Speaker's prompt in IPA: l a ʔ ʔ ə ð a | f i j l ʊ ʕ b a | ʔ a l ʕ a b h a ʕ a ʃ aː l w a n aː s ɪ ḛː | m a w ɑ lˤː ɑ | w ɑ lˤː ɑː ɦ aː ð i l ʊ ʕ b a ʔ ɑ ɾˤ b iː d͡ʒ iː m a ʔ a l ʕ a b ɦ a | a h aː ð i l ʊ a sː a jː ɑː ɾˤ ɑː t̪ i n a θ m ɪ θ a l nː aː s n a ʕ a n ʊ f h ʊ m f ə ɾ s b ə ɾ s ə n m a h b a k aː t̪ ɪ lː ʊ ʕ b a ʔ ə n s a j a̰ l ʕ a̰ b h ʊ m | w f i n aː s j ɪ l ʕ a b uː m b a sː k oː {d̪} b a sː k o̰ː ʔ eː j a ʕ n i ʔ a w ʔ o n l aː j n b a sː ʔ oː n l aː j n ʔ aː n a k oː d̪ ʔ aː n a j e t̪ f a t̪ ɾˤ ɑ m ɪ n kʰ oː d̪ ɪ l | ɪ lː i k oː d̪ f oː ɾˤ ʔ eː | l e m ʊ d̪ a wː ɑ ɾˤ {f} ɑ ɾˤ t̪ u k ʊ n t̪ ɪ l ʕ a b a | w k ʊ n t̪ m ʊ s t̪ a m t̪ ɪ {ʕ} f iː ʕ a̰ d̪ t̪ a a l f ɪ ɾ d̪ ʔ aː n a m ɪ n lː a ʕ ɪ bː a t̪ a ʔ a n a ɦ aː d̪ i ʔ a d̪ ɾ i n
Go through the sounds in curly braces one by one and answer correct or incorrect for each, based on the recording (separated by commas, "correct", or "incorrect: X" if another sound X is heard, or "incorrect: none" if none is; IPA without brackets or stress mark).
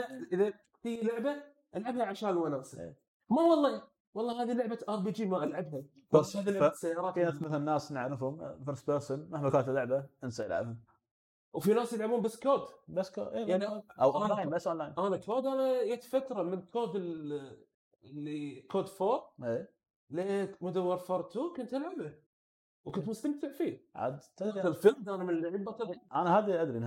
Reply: correct, correct, correct